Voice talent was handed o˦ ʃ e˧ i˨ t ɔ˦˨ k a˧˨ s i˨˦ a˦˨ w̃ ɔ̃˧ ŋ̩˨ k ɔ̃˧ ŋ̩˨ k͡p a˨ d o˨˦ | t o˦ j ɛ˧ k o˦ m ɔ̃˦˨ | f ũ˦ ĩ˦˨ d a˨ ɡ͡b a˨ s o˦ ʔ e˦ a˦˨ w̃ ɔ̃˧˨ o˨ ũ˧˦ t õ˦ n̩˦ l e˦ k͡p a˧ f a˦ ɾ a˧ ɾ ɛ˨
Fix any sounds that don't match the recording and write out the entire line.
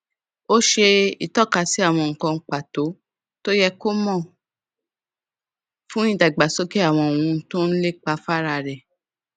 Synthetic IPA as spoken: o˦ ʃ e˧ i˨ t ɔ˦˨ k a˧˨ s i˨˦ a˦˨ w̃ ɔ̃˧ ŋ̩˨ k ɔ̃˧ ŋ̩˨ k͡p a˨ t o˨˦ | t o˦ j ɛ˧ k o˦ m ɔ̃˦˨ | f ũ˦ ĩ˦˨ d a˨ ɡ͡b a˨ s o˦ k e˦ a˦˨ w̃ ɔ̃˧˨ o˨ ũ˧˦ t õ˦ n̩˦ l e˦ k͡p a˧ f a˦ ɾ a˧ ɾ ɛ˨